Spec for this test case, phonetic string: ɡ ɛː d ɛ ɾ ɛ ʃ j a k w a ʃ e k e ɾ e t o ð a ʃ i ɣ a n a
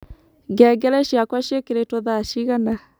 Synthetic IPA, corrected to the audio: ɡ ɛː ɡ ɛ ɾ ɛ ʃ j a k w a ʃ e k e ɾ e t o ð a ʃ i ɣ a n a

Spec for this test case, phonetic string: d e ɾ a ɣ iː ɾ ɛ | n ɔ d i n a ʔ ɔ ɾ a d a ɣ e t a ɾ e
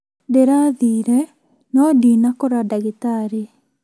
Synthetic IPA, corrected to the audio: d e ɾ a ð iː ɾ ɛ | n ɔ d i n a k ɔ ɾ a d a ɣ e t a ɾ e

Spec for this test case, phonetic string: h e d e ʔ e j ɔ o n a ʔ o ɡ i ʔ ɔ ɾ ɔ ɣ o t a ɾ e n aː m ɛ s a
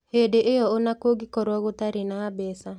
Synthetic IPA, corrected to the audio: h e d e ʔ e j ɔ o n a k o ɡ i k ɔ ɾ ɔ ɣ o t a ɾ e n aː b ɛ s a

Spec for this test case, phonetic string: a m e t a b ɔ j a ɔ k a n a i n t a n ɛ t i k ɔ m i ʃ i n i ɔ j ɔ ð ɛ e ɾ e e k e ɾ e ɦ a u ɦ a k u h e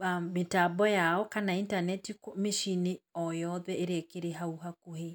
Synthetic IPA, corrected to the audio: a m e t a b ɔ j a ɔ k a n a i n t a n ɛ t i k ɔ m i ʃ i n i ɔ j ɔ ð ɛ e ɾ e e k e ɾ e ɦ a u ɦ a k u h e

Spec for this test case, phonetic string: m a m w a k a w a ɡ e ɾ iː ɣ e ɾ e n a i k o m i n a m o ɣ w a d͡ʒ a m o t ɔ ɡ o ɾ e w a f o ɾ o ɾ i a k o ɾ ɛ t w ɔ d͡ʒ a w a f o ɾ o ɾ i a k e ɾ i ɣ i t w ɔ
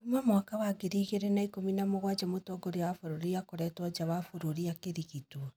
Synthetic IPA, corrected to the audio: m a m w a k a w a ɡ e ɾ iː ɣ e ɾ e n a i k o m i n a m o ɣ w a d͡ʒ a m o t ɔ ɡ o ɾ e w a f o ɾ o ɾ i a k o ɾ ɛ t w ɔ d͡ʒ a w a f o ɾ o ɾ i a k e ɾ i ɣ i t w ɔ

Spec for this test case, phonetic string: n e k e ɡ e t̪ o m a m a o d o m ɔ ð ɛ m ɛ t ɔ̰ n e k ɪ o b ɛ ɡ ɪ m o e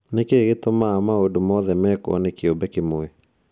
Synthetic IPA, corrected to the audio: n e k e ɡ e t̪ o m a m a o d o m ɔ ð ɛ m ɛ k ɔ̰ n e k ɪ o b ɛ k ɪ m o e

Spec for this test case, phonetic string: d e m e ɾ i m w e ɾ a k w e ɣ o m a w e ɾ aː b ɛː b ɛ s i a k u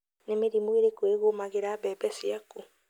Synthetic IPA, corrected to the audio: n e m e ɾ i m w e ɾ e k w e ɣ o m a ɣ e ɾ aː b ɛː b ɛ s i a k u

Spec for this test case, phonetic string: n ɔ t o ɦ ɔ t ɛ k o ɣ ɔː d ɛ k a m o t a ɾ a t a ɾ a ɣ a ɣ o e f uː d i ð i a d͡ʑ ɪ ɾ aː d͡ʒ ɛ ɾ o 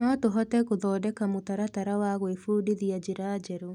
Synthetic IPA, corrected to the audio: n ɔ t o ɦ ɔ t ɛ k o ð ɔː d ɛ k a m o t a ɾ a t a ɾ a w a ɣ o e f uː d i ð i a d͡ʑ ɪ ɾ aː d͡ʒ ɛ ɾ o

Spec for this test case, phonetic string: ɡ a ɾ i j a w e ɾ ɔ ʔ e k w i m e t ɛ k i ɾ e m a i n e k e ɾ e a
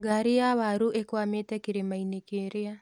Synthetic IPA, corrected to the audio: ɡ a ɾ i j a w a ɾ u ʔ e k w a m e t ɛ k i ɾ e m a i n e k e ɾ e a

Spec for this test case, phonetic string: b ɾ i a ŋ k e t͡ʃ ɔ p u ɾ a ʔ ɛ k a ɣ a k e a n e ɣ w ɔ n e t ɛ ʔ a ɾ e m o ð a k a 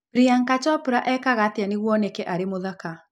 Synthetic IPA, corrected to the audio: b ɾ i a ŋ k a t͡ʃ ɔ p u ɾ a ʔ ɛ k a ɣ a t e a n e ɣ w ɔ n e k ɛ ʔ a ɾ e m o ð a k a

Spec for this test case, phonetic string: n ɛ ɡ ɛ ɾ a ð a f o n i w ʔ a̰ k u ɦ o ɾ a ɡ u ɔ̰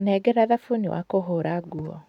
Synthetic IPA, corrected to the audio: n ɛ ɡ ɛ ɾ a ð a f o n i w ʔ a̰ k o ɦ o ɾ a ɡ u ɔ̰

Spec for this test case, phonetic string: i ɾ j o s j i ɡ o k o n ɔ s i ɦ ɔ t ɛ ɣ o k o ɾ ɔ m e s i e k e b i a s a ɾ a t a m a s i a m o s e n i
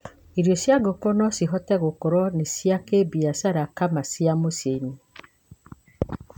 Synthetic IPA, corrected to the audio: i ɾ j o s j a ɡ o k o n ɔ s i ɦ ɔ t ɛ ɣ o k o ɾ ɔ n e s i a k e b i a s a ɾ a k a m a s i a m o s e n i

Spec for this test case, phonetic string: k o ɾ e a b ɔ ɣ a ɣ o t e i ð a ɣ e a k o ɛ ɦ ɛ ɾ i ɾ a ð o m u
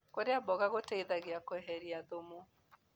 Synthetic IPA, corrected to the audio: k o ɾ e a b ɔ ɣ a ɣ o t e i ð a ɣ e a k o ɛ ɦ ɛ ɾ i a ð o m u

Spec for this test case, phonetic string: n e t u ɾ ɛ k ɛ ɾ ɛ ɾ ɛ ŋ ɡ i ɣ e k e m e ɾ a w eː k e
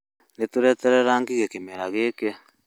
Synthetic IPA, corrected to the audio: n e t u ɾ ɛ t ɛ ɾ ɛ ɾ a ŋ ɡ i ɣ e k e m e ɾ a ɣ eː k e

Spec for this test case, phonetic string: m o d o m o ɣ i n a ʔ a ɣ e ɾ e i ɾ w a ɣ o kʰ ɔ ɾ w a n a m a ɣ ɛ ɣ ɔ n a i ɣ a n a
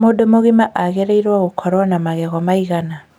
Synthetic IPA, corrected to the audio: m o d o m o ɣ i m a ʔ a ɣ e ɾ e i ɾ w a ɣ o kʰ ɔ ɾ w a n a m a ɣ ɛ ɣ ɔ m a i ɣ a n a

